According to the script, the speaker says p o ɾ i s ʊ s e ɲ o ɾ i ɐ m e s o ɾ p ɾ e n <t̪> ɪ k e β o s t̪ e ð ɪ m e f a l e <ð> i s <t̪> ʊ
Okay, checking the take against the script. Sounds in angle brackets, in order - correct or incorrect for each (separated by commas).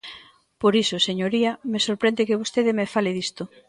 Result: incorrect, correct, correct